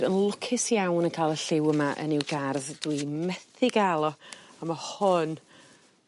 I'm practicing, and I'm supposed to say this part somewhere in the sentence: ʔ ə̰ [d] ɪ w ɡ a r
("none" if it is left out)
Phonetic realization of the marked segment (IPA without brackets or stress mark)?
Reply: n